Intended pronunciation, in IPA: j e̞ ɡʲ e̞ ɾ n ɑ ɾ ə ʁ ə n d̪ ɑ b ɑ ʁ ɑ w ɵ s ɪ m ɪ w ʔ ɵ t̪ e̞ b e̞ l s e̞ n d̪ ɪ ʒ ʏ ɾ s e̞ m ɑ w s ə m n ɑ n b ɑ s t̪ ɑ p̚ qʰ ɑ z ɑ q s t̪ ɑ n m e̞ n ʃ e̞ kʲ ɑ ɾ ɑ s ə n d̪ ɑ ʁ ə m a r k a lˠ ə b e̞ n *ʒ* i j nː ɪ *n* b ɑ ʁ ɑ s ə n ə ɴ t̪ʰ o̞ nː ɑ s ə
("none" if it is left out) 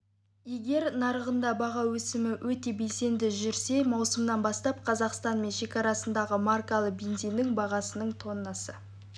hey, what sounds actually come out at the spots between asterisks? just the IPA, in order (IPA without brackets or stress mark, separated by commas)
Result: z, ŋ